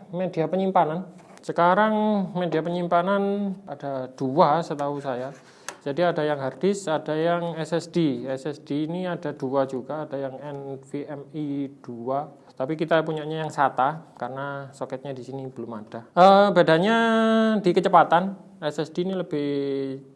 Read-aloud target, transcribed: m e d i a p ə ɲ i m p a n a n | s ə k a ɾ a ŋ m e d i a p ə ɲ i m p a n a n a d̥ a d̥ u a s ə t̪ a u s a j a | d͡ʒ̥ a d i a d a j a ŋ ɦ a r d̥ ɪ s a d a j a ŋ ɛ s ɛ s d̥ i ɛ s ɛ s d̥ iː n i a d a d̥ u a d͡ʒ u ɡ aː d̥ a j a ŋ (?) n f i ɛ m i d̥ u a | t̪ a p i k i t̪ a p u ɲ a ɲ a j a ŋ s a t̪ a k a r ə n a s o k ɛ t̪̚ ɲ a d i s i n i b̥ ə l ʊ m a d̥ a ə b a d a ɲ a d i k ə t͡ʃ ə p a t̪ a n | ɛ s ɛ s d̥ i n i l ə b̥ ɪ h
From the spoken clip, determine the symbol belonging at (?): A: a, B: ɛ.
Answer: B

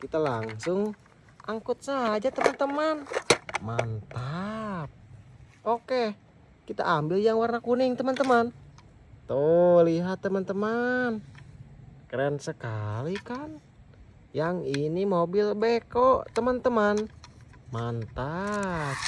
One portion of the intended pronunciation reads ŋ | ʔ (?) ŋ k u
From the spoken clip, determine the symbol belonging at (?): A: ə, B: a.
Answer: B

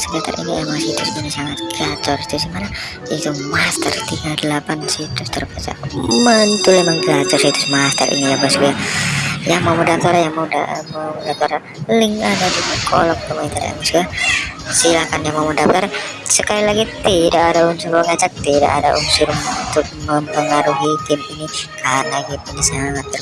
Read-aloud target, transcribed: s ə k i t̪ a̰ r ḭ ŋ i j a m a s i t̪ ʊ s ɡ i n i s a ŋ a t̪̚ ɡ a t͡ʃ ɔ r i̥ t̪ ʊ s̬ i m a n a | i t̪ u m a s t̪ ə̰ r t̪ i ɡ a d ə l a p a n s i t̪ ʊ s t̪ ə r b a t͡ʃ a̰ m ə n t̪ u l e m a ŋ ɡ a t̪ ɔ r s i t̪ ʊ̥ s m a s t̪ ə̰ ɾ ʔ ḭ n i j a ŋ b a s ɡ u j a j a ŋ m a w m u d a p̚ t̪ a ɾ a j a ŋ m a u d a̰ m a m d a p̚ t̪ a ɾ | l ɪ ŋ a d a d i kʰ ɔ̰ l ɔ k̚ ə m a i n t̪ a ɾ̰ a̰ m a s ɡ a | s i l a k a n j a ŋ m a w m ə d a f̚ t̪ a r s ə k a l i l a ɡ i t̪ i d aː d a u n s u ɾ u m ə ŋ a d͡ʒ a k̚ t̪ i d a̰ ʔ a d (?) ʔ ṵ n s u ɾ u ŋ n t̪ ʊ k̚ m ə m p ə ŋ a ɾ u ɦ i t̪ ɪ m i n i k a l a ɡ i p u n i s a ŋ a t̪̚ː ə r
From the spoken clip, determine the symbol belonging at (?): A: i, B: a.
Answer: B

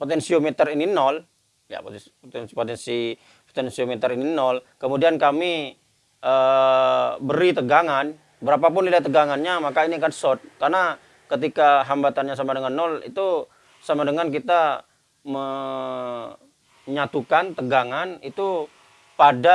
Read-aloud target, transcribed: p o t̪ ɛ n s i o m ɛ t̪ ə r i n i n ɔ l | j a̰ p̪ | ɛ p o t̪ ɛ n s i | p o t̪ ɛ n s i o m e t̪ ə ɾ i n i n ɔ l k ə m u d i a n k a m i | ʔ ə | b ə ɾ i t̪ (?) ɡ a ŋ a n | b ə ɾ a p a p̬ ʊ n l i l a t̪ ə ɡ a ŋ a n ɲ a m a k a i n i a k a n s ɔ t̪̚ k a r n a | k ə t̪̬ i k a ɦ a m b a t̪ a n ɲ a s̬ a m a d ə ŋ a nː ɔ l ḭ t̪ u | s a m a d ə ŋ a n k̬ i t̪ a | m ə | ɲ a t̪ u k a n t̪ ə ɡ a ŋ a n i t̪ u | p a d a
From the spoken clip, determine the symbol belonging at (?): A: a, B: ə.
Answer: B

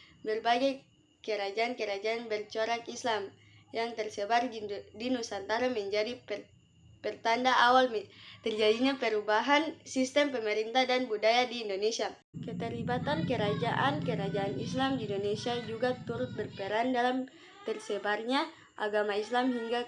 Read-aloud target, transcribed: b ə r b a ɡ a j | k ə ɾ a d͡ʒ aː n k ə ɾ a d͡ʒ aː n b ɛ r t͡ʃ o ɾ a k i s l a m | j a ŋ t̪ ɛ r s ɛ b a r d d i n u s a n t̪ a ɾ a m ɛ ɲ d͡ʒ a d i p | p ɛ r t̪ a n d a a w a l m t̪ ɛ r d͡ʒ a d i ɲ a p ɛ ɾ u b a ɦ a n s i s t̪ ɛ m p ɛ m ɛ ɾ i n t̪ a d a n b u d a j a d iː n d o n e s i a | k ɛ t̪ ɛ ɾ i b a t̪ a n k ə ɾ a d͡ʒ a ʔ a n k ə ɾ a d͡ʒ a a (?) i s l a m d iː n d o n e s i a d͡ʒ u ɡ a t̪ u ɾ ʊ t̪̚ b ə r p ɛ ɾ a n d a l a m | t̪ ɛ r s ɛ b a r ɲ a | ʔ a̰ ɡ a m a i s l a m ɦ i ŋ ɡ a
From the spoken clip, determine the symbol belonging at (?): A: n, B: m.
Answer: A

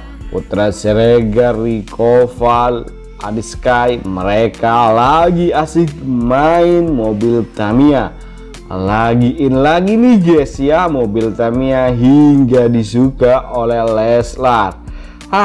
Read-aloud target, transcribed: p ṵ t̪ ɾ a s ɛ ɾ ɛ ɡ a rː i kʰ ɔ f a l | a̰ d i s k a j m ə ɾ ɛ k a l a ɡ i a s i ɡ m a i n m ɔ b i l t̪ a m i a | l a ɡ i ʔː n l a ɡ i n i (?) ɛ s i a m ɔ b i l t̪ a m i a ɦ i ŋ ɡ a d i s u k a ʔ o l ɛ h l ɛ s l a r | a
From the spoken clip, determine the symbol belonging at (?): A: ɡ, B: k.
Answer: A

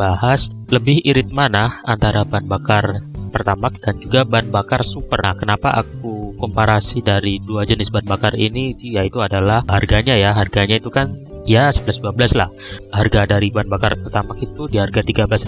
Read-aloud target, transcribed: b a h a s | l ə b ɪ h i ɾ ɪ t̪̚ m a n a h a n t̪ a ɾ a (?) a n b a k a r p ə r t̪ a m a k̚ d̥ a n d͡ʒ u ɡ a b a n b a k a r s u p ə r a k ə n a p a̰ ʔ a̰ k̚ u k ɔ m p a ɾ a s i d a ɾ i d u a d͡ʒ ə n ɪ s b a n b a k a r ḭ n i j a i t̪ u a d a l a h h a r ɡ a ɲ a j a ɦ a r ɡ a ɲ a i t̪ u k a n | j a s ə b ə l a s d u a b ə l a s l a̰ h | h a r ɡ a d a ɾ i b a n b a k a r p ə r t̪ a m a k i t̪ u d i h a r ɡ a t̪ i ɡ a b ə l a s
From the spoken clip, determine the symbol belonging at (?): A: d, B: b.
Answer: B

